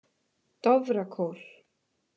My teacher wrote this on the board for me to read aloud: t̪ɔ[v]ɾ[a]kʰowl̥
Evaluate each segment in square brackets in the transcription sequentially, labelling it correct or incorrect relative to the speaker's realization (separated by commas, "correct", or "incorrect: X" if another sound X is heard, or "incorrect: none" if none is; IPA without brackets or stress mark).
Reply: correct, correct